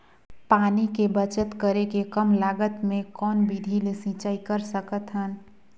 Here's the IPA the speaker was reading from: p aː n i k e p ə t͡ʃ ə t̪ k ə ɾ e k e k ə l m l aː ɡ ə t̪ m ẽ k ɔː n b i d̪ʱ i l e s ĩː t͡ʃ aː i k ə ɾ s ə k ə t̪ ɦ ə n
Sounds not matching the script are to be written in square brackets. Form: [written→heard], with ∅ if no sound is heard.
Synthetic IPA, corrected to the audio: p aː n i k e [p→b] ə t͡ʃ ə t̪ k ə ɾ e k e k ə [l→∅] m l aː ɡ ə t̪ m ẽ k ɔː n b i d̪ʱ i l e s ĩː t͡ʃ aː i k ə ɾ s ə k ə t̪ ɦ ə n